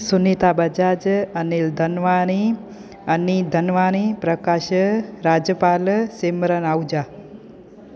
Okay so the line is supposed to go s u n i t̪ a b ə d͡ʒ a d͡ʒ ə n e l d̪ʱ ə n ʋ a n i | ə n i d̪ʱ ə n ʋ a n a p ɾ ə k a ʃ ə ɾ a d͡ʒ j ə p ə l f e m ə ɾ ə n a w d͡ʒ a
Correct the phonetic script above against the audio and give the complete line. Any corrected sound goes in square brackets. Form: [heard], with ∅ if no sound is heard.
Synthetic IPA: s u n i t̪ a b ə d͡ʒ a d͡ʒ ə n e l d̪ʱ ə n ʋ a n i | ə n i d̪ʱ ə n ʋ a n [i] p ɾ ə k a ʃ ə ɾ a d͡ʒ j ə p [a] l [s] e m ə ɾ ə n a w d͡ʒ a